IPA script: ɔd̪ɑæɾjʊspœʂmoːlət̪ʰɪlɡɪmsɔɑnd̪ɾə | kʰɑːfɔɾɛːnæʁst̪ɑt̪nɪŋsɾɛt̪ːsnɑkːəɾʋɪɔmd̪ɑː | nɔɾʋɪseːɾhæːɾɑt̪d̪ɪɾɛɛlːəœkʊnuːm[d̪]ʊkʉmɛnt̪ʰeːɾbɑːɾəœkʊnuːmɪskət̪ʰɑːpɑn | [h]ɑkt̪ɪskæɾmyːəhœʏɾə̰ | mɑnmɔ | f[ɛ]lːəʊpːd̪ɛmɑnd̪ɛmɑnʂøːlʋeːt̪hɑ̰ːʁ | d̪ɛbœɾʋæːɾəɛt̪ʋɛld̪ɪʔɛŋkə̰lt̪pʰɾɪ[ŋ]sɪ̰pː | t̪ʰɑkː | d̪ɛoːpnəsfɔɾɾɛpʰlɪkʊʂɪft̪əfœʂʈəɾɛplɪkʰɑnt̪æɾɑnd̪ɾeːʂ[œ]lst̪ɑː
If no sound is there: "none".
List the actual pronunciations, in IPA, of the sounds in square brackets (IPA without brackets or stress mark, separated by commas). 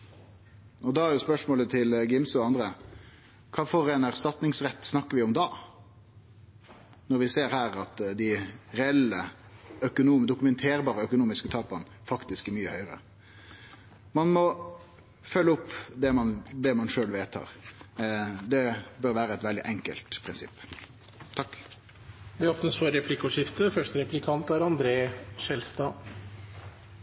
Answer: d̪, f, œ, n, ɛ